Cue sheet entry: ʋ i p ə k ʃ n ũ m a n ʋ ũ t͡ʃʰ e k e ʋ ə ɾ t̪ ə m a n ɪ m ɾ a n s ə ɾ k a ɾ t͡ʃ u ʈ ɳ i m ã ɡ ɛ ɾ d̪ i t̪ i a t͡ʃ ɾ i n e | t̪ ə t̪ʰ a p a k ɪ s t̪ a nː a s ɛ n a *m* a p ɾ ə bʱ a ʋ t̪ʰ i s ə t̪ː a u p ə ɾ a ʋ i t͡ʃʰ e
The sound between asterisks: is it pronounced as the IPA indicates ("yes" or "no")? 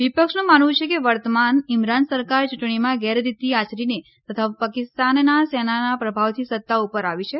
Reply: no